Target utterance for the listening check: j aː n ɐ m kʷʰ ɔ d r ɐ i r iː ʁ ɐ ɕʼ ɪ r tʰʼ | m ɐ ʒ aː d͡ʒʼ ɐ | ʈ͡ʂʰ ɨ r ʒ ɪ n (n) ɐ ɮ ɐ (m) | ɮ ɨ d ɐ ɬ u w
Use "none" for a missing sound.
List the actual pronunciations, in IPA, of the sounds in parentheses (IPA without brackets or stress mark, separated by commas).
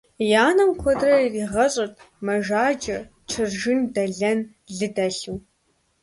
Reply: d, n